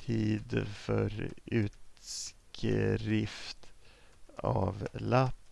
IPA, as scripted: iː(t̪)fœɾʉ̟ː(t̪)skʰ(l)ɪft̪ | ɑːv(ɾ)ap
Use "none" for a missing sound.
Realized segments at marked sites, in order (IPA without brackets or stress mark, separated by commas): d̪, t̪, ɾ, l